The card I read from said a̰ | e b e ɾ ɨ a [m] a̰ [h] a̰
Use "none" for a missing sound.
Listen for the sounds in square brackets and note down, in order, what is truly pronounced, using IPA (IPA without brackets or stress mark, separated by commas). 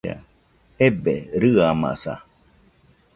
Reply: m, s